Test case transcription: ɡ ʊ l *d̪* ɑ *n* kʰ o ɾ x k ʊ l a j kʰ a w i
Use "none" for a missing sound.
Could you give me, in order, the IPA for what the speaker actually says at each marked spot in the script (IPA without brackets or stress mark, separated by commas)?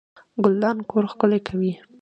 d̪, n